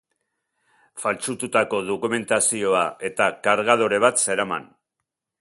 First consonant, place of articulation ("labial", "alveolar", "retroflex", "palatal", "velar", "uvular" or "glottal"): labial